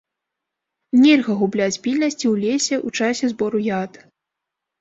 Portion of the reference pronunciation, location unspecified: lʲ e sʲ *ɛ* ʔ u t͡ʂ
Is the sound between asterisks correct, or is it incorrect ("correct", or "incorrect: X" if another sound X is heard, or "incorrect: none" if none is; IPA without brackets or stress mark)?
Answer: correct